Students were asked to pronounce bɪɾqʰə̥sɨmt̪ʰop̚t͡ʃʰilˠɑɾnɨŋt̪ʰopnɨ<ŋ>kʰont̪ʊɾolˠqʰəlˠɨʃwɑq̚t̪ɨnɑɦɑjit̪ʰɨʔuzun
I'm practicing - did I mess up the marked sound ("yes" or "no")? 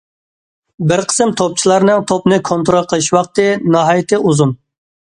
yes